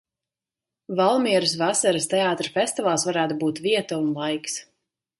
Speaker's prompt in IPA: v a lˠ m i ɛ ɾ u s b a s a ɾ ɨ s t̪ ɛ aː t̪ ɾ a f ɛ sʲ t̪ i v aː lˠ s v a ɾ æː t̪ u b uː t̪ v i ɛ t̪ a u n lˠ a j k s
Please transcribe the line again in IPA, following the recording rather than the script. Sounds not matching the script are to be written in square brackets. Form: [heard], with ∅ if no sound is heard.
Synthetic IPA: v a lˠ m i ɛ ɾ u s [v] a s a ɾ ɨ s t̪ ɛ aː t̪ ɾ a f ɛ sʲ t̪ i v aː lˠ s v a ɾ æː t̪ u b uː t̪ v i ɛ t̪ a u n lˠ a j k s